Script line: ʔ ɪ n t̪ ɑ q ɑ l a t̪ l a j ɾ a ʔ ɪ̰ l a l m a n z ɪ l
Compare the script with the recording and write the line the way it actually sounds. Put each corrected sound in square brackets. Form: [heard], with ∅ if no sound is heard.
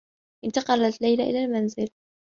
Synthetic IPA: ʔ ɪ n t̪ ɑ q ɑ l a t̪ l a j [l] a ʔ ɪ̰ l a l m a n z ɪ l